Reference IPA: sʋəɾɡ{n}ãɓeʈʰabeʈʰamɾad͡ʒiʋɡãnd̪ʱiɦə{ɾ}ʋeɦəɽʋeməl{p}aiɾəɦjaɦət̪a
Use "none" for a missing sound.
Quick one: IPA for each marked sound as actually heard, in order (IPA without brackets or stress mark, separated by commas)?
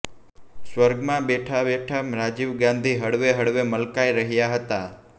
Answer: m, ɽ, k